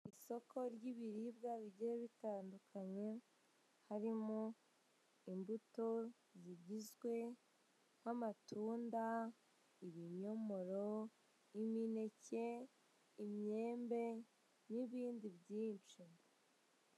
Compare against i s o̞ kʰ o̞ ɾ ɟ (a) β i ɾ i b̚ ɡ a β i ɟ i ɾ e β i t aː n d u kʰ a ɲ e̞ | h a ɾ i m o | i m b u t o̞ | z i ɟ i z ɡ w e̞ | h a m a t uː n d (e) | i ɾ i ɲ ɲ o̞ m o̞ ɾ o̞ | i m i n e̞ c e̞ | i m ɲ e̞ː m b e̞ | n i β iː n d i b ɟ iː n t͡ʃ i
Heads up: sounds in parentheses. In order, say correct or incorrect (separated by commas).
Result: incorrect, incorrect